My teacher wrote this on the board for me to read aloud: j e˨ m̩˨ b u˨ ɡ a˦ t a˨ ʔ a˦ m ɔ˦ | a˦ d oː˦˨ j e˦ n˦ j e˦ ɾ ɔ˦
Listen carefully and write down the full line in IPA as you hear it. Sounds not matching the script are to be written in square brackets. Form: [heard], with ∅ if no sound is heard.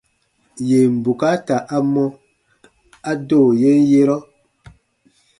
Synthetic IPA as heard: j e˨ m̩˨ b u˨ [k] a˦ t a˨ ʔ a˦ m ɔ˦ | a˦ d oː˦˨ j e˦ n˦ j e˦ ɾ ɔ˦

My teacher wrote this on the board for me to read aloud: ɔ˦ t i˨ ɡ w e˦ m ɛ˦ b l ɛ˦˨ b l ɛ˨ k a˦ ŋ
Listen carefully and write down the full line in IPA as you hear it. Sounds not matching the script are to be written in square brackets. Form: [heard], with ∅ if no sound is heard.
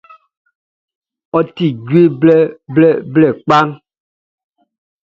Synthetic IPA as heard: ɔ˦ t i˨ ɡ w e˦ [b] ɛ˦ b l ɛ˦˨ b l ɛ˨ [k͡p] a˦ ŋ

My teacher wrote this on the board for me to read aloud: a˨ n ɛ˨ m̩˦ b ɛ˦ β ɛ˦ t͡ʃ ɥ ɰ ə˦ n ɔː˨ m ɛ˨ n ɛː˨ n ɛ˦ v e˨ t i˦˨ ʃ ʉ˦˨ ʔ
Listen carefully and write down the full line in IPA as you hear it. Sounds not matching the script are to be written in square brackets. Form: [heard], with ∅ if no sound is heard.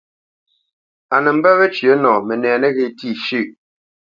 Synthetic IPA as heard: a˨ n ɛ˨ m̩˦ b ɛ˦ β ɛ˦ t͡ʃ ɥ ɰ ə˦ n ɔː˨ m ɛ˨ n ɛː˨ n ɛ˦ [ɣ] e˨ t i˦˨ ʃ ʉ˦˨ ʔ

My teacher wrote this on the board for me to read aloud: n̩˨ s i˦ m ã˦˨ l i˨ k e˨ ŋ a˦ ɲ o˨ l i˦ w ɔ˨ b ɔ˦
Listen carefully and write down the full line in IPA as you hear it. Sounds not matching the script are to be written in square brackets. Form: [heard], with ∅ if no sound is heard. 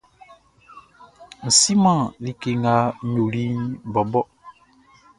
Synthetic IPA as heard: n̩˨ s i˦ m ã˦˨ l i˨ k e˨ ŋ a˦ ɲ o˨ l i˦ [b] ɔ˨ b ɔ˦

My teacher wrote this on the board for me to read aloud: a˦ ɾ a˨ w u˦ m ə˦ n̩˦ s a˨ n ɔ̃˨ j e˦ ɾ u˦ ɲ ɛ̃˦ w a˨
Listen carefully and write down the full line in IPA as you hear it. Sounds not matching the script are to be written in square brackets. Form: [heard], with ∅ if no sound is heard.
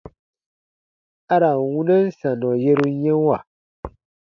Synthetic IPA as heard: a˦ ɾ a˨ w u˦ [n] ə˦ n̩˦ s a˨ n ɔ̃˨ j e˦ ɾ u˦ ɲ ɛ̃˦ w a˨

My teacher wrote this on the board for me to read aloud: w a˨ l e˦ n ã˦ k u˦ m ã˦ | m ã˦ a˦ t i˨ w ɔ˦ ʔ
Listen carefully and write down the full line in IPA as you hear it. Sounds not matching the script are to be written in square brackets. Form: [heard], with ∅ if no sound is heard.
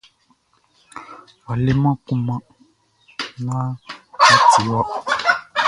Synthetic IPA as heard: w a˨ l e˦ [m] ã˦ k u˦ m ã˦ | [n] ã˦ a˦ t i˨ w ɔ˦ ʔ

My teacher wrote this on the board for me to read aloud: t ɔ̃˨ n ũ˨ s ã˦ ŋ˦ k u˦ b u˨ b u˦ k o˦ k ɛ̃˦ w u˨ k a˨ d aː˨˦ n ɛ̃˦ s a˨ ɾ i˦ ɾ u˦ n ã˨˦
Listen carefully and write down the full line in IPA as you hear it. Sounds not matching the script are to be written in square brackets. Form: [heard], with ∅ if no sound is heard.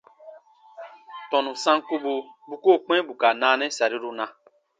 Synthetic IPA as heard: t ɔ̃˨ n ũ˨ s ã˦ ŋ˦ k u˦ b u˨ b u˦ k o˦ [k͡p] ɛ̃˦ [b] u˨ k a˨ [n] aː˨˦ n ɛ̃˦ s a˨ ɾ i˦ ɾ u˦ n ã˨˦

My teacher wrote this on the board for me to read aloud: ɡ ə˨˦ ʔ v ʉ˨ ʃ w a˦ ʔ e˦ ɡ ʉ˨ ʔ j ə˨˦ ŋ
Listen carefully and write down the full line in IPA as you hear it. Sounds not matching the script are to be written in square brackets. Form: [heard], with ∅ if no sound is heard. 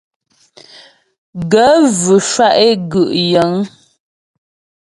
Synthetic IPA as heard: ɡ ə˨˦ [∅] v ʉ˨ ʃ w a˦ ʔ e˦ ɡ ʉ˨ ʔ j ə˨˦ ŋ

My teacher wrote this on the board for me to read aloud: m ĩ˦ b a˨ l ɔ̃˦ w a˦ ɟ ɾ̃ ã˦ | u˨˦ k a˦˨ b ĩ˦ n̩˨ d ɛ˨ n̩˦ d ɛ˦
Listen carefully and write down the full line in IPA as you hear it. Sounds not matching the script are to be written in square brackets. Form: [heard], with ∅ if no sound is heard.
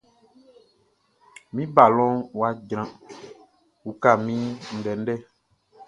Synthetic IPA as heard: m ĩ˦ b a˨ l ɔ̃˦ w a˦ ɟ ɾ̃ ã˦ | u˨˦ k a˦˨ [m] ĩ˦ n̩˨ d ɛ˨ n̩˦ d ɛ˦

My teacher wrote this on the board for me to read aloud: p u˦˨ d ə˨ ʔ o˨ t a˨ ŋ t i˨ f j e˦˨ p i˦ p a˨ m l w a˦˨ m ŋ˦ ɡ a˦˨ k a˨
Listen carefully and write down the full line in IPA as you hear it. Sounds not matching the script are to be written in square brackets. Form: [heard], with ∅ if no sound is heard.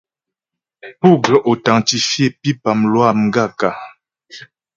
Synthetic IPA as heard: p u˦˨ [ɡ] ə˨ ʔ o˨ t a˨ ŋ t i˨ f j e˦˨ p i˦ p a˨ m l w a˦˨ m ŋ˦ ɡ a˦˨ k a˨

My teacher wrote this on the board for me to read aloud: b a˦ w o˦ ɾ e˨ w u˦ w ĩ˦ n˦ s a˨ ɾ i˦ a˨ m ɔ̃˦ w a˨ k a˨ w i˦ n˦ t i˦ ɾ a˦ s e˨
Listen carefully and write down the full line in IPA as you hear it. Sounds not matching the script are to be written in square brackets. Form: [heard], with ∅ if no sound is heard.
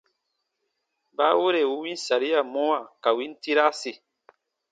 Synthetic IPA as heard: b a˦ w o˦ ɾ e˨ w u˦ w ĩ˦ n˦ s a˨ ɾ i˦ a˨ m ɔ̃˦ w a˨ k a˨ w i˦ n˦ t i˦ ɾ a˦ s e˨

